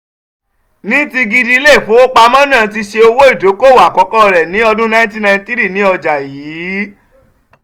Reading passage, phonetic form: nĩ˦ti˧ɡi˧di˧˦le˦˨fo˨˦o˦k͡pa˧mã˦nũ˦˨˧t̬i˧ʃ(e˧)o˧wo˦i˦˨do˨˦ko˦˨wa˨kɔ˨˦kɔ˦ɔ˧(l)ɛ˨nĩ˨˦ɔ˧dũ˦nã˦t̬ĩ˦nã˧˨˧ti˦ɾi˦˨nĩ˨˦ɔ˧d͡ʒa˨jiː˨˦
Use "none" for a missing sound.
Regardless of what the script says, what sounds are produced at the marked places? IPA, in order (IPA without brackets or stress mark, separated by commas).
e˧, ɾ